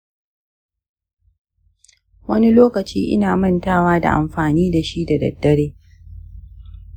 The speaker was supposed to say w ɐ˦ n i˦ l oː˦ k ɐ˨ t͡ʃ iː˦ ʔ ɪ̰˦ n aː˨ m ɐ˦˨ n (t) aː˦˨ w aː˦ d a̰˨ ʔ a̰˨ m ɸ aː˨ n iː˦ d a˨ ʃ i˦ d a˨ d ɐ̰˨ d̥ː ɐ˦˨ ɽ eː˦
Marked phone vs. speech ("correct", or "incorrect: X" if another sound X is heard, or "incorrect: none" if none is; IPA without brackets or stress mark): correct